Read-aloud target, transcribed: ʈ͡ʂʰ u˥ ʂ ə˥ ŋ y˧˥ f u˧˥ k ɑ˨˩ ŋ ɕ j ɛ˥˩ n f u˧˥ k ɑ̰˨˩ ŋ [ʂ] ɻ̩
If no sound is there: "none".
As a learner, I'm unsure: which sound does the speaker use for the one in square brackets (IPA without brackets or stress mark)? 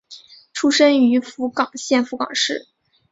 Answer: ʂ